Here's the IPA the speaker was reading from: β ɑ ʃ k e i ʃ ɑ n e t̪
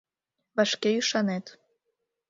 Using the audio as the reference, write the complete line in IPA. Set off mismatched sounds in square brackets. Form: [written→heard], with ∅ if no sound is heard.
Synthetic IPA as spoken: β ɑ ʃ k e [i→y] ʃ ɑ n e t̪